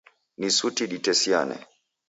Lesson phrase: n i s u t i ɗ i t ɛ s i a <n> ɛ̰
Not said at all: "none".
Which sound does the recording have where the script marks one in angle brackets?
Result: n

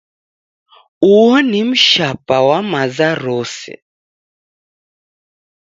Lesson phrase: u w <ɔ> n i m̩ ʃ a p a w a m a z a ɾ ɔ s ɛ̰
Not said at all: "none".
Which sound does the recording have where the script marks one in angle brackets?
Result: ɔ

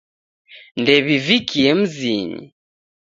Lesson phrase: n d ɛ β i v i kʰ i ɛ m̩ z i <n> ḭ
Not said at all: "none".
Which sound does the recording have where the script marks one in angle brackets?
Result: ɲ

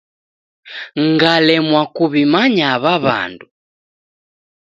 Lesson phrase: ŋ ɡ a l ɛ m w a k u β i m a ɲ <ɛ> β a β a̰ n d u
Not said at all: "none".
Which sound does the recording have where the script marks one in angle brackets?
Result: a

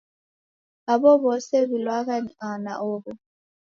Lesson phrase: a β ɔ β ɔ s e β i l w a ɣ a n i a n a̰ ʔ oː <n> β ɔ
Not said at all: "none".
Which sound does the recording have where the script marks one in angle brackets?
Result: none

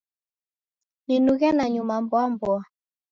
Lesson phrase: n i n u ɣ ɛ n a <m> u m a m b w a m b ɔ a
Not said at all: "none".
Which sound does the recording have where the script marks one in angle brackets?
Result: ɲ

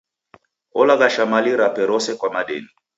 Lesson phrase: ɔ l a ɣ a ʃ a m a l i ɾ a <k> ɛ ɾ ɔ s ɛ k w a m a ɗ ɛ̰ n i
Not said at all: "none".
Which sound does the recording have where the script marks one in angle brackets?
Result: p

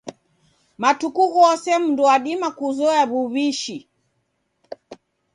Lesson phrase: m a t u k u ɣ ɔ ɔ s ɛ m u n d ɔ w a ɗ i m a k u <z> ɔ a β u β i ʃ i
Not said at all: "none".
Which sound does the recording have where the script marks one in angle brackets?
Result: z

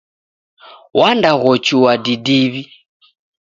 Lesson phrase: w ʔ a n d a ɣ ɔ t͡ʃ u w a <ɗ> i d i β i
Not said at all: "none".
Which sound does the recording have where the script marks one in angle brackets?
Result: d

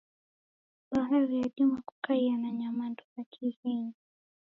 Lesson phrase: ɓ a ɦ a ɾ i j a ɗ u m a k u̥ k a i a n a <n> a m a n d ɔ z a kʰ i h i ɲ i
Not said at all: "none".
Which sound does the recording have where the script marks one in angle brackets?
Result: ɲ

